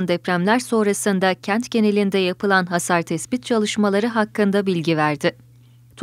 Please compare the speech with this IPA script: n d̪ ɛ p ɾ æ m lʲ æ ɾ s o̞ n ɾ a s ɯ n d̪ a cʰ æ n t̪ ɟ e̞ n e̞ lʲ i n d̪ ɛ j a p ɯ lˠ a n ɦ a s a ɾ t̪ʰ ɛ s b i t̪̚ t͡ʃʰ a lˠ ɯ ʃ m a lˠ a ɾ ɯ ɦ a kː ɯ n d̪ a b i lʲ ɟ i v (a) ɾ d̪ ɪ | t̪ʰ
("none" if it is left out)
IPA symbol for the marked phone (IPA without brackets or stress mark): æ